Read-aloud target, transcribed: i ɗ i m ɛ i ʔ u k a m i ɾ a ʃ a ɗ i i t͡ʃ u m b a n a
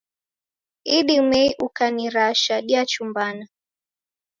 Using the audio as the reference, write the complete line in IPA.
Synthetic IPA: i ɗ i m ɛ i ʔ u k a n i ɾ a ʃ a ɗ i a t͡ʃ u m b a n a